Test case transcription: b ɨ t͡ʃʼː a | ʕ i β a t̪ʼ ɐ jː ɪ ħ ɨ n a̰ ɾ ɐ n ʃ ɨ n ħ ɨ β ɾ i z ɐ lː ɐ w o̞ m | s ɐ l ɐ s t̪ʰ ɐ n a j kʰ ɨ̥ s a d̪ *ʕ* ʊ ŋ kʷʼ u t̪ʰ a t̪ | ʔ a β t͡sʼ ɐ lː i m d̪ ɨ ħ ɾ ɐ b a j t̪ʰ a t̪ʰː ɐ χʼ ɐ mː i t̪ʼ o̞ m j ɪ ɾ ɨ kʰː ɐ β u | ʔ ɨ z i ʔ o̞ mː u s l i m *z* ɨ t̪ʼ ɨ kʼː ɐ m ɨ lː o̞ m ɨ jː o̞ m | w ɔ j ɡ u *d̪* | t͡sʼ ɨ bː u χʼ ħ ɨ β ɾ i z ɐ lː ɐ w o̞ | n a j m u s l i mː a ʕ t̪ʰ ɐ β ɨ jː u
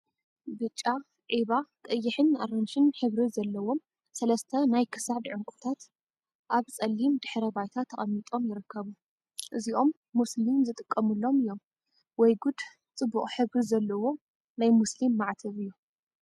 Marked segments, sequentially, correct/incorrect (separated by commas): correct, correct, correct